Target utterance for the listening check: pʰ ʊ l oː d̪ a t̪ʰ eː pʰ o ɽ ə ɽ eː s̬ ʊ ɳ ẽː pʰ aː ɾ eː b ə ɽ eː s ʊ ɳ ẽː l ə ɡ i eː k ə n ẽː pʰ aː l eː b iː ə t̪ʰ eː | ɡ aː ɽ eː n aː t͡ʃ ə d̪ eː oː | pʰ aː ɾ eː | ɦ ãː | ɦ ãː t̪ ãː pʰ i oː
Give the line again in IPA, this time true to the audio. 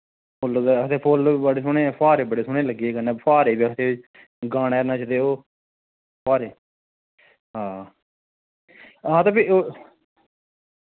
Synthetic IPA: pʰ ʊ l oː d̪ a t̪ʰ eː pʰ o l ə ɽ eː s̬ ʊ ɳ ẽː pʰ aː ɾ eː b ə ɽ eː s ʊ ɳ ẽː l ə ɡ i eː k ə n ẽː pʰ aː ɾ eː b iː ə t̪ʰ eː | ɡ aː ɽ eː n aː t͡ʃ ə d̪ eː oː | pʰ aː ɾ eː | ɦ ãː | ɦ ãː t̪ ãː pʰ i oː